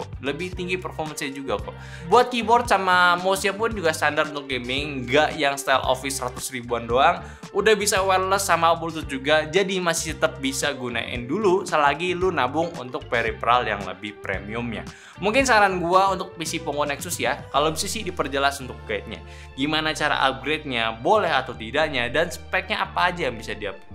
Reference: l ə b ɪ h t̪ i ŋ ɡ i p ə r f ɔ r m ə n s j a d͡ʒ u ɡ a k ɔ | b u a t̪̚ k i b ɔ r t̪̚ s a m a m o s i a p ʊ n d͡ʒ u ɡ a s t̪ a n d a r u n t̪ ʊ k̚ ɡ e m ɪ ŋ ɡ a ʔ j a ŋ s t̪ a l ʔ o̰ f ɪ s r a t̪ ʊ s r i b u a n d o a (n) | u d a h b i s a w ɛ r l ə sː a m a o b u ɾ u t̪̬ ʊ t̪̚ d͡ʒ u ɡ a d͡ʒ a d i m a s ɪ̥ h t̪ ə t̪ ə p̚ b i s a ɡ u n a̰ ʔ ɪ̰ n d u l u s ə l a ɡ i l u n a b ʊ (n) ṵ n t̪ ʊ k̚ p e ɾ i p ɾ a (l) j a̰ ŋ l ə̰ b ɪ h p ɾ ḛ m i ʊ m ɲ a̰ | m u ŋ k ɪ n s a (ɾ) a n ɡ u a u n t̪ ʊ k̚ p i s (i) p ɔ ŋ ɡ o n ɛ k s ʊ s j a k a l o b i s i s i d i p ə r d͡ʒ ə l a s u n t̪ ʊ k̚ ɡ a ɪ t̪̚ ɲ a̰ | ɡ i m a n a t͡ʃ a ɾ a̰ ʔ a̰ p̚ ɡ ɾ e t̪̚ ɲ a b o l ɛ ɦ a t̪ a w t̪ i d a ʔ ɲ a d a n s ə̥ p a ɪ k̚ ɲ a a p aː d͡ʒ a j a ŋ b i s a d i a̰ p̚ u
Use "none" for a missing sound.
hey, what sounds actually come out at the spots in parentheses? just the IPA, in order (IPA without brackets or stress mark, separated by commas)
ŋ, ŋ, l, ɾ, i